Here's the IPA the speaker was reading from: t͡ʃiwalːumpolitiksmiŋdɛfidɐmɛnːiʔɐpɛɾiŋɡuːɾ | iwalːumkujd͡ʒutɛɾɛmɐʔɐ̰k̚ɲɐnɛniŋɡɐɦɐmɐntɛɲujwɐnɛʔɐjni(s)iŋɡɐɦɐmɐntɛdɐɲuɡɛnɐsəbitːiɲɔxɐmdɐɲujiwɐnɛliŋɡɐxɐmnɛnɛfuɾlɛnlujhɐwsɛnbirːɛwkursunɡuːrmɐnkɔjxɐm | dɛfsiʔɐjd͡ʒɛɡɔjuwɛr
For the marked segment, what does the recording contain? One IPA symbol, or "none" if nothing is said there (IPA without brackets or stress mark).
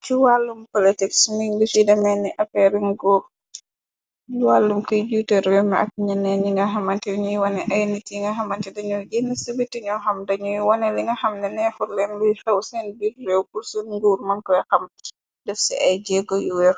t